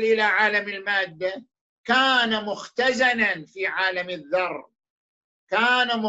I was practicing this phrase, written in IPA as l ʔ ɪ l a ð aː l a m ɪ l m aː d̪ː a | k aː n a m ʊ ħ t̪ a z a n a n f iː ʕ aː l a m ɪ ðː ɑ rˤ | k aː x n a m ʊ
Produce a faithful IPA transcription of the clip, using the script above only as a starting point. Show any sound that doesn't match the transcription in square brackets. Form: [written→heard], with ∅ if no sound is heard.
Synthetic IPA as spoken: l ʔ ɪ l a [ð→ʕ] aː l a m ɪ l m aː d̪ː a | k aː n a m ʊ [ħ→x] t̪ a z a n a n f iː ʕ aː l a m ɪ ðː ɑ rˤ | k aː [x→∅] n a m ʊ